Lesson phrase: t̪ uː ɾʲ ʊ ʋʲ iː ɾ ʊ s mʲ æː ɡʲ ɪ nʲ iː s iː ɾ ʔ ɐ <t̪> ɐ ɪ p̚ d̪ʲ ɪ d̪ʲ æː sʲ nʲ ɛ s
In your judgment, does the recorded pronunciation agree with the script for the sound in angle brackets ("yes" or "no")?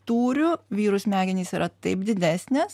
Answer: yes